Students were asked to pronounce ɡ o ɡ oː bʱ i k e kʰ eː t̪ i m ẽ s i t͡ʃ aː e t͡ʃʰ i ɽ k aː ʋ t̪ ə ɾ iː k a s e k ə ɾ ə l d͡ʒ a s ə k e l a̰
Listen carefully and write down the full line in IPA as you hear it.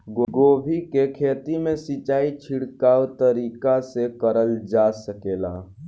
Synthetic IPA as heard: ɡ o ɡ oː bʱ i k e kʰ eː t̪ i m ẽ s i t͡ʃ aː i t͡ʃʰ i ɽ k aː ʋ t̪ ə ɾ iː k a s e k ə ɾ ə l d͡ʒ a s ə k e l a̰